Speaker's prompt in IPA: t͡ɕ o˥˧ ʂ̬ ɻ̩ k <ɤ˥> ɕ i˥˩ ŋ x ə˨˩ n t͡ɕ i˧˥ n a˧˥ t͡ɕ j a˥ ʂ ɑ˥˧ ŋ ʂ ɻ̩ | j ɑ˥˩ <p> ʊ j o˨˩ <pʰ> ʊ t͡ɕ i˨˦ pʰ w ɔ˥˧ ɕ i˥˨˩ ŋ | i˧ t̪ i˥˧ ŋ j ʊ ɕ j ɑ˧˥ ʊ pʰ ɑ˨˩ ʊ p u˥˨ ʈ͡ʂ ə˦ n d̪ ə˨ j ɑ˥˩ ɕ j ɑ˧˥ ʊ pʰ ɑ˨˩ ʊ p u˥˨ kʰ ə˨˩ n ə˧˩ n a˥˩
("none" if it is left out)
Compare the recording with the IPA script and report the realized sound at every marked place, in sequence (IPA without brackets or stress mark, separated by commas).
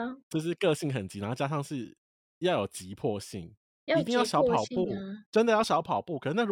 ɤ˥˧, none, none